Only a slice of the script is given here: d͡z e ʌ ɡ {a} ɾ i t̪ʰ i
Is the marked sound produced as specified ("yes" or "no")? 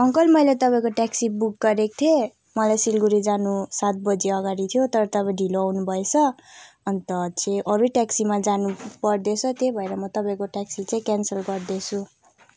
yes